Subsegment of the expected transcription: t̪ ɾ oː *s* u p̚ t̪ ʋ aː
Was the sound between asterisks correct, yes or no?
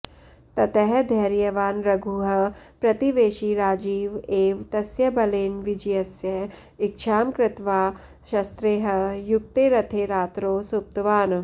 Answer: yes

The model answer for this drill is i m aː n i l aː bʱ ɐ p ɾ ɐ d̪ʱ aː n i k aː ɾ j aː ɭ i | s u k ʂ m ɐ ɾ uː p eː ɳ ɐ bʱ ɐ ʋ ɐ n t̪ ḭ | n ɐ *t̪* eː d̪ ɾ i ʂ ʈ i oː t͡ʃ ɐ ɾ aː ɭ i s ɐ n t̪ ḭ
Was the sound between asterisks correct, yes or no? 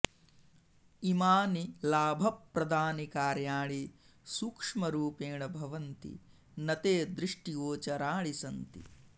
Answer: yes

